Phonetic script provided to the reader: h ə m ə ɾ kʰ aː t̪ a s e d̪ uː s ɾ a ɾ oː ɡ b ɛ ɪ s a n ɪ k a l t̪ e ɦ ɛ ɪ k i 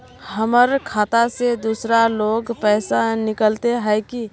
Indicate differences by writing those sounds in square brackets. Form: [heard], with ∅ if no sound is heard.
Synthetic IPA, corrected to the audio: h ə m ə ɾ kʰ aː t̪ a s e d̪ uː s ɾ a [l] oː ɡ [p] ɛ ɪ s a n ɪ k [ə] l t̪ e ɦ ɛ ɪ k i